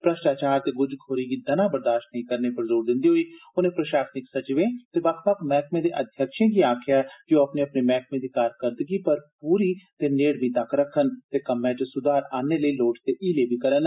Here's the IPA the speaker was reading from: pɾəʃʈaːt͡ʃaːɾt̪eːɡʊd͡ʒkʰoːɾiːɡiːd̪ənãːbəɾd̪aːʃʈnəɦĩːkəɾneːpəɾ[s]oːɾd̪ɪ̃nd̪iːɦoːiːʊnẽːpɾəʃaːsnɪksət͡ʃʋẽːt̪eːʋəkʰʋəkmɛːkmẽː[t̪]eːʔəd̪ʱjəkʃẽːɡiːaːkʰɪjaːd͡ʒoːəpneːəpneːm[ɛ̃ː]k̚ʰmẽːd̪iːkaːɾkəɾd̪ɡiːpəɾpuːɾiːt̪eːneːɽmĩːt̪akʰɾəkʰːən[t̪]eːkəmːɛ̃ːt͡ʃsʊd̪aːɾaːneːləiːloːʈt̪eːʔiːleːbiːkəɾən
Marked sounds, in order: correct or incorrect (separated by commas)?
incorrect, incorrect, incorrect, correct